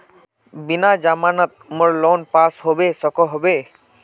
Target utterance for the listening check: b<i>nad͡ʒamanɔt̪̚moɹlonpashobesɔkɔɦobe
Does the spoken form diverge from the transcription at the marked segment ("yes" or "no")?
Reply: no